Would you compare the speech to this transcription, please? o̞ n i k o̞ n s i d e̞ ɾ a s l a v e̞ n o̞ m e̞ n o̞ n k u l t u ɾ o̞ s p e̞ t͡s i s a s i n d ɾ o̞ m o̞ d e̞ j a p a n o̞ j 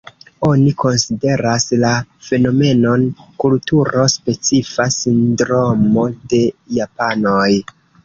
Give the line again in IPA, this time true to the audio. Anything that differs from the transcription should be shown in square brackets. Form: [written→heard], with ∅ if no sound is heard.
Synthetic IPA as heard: o̞ n i k o̞ n s i d e̞ ɾ a s l a [v→f] e̞ n o̞ m e̞ n o̞ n k u l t u ɾ o̞ s p e̞ t͡s i [s→f] a s i n d ɾ o̞ m o̞ d e̞ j a p a n o̞ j